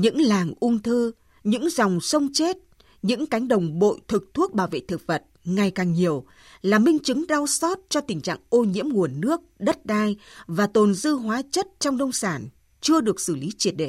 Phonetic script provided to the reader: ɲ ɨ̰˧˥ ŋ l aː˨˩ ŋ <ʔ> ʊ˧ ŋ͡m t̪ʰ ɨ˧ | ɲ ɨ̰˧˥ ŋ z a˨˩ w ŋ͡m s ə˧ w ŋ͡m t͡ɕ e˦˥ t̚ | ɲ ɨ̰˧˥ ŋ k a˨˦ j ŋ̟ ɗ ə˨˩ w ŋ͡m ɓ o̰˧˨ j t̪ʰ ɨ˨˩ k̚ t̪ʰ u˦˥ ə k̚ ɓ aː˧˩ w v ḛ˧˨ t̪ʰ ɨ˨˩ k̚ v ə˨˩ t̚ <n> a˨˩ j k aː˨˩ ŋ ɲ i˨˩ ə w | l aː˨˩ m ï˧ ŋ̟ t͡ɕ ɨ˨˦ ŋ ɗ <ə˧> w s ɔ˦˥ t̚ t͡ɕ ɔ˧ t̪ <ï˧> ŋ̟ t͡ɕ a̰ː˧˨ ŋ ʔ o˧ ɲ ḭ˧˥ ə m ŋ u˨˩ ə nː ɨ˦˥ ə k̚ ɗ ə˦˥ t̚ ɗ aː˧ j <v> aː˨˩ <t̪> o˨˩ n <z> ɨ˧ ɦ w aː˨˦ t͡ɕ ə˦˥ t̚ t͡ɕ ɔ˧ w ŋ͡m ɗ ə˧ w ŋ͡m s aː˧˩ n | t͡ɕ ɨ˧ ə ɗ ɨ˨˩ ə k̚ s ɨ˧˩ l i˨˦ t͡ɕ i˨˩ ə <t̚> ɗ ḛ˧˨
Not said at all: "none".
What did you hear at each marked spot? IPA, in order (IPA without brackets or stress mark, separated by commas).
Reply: ʔ, ŋ, a˧, ï˨˩, v, t̪, z, t̚